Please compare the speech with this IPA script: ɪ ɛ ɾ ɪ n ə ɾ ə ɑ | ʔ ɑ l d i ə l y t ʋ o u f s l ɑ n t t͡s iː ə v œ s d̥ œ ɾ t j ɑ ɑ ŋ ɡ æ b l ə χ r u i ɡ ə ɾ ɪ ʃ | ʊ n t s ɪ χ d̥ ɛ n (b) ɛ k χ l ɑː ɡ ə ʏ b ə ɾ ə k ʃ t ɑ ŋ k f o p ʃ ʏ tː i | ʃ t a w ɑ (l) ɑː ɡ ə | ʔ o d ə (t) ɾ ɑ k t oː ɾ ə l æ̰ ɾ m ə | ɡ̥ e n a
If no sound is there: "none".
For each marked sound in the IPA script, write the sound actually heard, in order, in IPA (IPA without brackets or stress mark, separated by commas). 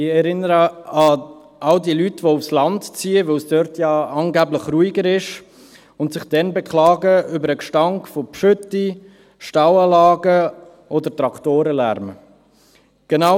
b, l, t